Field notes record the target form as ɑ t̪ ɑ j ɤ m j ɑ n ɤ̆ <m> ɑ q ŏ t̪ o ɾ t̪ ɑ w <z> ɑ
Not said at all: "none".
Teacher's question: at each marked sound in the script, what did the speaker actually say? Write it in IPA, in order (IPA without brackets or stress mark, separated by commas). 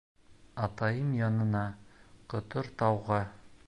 n, ʁ